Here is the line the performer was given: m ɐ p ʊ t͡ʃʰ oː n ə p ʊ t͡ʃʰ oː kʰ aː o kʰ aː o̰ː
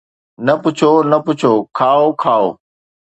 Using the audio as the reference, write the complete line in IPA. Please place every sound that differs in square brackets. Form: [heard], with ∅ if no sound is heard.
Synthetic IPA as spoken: [n] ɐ p ʊ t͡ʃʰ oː n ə p ʊ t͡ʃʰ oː kʰ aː o kʰ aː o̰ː